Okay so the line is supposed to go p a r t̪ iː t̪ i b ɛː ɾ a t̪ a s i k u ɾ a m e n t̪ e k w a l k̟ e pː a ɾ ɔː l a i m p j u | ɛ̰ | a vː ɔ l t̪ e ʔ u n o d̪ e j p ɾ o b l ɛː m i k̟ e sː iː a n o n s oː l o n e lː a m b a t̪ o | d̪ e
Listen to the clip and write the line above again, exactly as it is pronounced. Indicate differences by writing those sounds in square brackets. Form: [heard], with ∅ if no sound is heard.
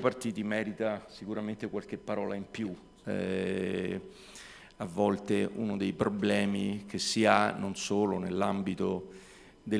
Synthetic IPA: p a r t̪ iː t̪ i [m] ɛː ɾ [i] t̪ a s i k u ɾ a m e n t̪ e k w a l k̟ e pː a ɾ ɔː l a i m p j u | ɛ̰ | a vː ɔ l t̪ e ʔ u n o d̪ e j p ɾ o b l ɛː m i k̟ e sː [i] a n o n s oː l o n e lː a m b [i] t̪ o | d̪ e